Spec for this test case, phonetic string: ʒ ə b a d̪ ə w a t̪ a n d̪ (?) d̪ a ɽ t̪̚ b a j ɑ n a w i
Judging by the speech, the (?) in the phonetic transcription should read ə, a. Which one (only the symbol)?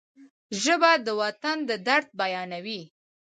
ə